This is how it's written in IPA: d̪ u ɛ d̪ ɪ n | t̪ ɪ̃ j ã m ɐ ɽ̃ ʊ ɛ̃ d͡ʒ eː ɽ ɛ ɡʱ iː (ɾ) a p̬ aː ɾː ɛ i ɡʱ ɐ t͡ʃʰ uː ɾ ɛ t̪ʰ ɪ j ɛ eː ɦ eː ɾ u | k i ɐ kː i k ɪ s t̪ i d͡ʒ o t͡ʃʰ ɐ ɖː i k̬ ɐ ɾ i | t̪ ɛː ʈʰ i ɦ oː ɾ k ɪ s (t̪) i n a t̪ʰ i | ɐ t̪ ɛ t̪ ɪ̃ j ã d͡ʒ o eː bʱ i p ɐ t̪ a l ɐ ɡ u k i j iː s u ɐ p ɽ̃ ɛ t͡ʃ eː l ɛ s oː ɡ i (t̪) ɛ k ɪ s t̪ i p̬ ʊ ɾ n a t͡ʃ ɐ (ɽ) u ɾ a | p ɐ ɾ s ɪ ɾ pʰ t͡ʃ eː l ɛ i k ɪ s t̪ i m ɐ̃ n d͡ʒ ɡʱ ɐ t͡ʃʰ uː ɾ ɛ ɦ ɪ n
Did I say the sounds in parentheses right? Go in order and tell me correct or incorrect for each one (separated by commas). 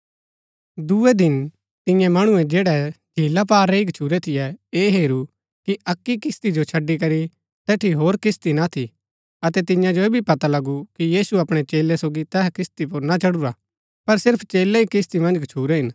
incorrect, correct, correct, correct